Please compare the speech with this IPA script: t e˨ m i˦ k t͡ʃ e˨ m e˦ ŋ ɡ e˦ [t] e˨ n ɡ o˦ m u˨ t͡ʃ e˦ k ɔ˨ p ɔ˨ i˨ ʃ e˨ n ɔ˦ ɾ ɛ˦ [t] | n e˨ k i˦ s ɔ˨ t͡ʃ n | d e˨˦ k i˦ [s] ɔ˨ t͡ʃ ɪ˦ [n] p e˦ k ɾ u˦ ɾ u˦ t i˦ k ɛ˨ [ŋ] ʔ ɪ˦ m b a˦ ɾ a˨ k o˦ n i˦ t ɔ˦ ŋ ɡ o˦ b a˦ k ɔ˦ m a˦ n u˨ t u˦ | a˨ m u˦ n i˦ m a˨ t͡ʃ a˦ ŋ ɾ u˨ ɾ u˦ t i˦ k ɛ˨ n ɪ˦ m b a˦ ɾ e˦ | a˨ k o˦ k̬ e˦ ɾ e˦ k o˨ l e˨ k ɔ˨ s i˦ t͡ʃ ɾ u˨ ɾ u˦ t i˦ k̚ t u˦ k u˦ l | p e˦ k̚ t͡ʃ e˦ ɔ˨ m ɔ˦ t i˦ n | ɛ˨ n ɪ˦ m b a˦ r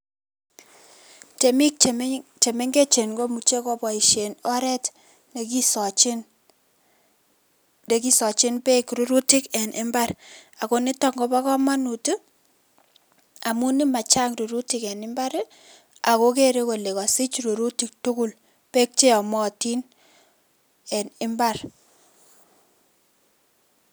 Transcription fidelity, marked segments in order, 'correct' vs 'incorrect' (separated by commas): incorrect, correct, correct, correct, incorrect